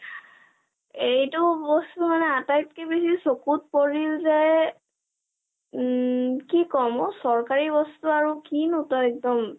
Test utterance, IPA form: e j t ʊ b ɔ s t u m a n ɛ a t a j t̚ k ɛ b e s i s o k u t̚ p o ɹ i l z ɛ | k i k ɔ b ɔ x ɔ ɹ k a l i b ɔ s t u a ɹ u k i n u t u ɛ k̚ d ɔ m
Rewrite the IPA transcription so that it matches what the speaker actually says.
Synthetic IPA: e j t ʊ b ɔ s t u m a n ɛ a t a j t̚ k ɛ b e s i s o k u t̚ p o ɹ i l z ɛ | k i k ɔ m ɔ s ɔ ɹ k a ɹ i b ɔ s t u a ɹ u k i n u t ɔ ɛ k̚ d ɔ m